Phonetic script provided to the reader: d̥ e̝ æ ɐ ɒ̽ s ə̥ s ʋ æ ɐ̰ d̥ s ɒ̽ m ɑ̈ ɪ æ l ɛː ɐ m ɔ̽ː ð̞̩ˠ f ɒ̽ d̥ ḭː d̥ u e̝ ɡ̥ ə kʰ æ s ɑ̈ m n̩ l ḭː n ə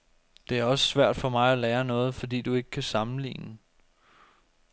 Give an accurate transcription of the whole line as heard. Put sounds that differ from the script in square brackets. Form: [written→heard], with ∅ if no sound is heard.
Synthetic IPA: d̥ e̝ æ ɐ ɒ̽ s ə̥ s ʋ æ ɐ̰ d̥ [s→f] ɒ̽ m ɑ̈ ɪ æ l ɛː ɐ [m→n] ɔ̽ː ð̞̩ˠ f ɒ̽ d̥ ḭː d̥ u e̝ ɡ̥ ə kʰ æ s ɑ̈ m n̩ l ḭː n ə